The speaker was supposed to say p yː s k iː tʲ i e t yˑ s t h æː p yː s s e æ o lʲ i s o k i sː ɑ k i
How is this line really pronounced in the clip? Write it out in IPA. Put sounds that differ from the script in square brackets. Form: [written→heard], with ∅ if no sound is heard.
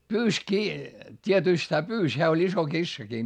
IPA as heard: p yː s k iː tʲ i e t yˑ s t h æː p yː s [s→h] e æ o lʲ i s o k i sː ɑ k i